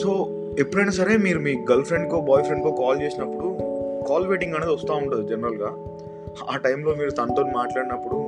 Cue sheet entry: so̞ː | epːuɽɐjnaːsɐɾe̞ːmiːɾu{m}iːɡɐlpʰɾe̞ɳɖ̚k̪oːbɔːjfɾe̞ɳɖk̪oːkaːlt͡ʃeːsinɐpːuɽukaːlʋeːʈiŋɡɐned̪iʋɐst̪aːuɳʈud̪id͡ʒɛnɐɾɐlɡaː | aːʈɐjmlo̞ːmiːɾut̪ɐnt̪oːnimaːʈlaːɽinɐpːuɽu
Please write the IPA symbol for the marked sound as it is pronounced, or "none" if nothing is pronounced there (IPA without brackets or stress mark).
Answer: m